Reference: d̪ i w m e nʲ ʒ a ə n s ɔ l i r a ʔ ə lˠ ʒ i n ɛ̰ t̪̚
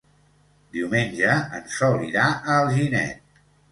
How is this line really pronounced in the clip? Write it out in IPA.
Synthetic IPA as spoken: d̪ i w m e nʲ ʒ ə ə n s ɔ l i ɾ a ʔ ə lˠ ʒ i n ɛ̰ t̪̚